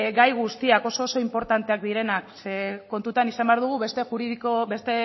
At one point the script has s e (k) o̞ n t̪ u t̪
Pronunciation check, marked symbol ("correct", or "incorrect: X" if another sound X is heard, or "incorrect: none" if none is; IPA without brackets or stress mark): correct